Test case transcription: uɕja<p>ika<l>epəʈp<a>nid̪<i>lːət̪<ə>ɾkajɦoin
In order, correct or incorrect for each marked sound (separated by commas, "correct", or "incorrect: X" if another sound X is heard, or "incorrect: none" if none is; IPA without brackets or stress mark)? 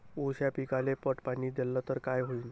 correct, correct, correct, incorrect: e, correct